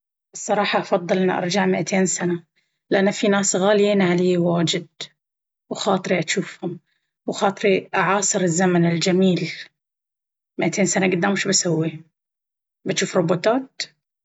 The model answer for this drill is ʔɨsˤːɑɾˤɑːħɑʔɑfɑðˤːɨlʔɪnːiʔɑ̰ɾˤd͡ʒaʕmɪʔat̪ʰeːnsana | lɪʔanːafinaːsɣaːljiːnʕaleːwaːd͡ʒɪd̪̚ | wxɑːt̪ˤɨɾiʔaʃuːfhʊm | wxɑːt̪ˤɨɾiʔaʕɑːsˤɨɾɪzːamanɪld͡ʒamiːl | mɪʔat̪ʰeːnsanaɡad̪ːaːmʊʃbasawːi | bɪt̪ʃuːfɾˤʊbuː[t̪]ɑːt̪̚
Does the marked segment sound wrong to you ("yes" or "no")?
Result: no